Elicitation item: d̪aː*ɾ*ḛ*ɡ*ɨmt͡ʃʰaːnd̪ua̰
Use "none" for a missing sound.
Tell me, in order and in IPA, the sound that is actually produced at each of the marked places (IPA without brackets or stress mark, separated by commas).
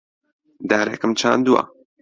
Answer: ɾ, k